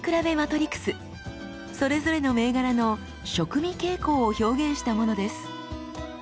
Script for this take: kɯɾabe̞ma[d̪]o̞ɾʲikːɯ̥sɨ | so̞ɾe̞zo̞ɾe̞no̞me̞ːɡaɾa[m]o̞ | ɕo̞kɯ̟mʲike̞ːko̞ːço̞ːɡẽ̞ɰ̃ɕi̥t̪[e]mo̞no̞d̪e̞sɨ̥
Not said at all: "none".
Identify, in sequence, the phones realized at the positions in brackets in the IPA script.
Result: t̪, n, a

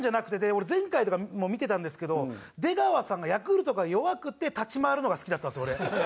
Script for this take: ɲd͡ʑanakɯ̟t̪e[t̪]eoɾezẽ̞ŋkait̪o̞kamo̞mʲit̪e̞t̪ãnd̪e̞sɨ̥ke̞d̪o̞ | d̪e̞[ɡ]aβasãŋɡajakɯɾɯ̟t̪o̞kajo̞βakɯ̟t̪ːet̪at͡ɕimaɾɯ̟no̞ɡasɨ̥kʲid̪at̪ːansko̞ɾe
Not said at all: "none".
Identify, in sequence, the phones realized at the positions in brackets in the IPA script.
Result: d̪, ɡ

